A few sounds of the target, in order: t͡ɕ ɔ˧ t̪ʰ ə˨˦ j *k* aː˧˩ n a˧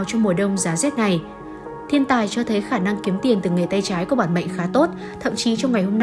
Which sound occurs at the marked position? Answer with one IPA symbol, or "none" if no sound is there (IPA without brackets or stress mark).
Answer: x